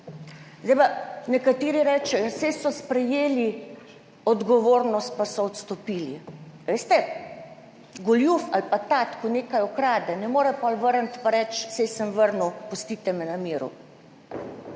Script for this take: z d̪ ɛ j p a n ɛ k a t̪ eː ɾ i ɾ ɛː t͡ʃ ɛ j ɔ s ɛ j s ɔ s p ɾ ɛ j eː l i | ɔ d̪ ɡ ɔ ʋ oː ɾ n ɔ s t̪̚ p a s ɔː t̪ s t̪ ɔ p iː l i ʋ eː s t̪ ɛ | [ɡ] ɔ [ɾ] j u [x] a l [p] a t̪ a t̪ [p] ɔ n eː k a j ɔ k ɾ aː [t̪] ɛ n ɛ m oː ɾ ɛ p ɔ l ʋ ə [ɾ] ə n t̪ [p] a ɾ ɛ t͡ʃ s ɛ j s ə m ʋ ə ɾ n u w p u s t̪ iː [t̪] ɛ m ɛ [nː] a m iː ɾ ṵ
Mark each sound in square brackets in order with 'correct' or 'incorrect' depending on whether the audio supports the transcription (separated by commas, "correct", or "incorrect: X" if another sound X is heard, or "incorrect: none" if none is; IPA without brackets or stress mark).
correct, incorrect: l, incorrect: f, correct, incorrect: k, incorrect: d̪, correct, correct, correct, incorrect: n